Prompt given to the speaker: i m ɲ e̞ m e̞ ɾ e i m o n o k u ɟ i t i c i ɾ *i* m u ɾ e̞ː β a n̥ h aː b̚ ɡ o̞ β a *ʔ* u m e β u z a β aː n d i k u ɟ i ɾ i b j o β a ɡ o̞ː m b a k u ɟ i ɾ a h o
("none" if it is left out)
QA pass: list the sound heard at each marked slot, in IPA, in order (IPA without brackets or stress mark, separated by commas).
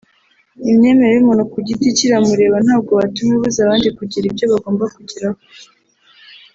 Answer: a, t